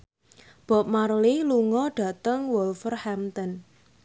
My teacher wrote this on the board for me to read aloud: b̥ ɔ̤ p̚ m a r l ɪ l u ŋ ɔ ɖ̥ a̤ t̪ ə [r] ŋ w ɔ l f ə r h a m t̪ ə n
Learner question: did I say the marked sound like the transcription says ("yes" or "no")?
no